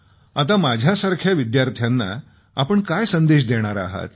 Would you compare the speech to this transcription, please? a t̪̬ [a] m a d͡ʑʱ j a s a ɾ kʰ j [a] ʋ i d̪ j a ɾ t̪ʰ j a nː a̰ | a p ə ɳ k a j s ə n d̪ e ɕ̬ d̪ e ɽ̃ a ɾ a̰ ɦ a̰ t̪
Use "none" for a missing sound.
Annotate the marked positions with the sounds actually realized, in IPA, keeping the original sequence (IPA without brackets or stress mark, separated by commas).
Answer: a, a